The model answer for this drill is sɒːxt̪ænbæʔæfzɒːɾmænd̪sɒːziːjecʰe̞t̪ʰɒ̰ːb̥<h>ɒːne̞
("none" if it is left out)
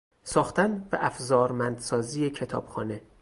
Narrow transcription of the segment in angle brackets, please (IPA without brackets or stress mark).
x